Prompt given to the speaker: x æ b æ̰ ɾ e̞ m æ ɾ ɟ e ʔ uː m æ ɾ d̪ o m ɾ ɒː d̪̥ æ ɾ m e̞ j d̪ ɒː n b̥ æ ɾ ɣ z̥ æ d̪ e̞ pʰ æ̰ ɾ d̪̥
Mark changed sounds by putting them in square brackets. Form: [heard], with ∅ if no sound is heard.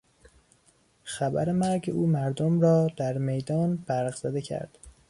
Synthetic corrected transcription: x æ b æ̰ ɾ e̞ m æ ɾ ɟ e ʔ uː m æ ɾ d̪ o m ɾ ɒː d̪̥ æ ɾ m e̞ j d̪ ɒː n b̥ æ ɾ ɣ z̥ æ d̪ e̞ [cʰ] æ̰ ɾ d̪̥